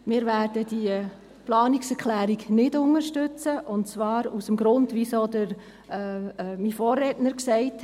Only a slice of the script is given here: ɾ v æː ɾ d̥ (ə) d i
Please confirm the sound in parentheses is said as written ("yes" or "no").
yes